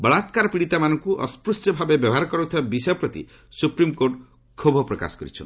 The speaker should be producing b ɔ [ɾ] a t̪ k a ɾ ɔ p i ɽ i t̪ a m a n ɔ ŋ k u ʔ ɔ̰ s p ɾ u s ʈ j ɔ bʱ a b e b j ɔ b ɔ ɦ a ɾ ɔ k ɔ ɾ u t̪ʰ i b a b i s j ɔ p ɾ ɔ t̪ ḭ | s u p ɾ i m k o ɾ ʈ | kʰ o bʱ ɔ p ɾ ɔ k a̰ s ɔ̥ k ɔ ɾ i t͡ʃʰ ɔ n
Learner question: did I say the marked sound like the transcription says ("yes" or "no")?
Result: no